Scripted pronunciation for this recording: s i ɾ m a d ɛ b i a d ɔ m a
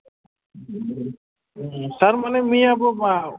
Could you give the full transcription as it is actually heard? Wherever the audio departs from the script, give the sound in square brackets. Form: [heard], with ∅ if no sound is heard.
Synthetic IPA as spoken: s [a] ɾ m a [n] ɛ [m] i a [b] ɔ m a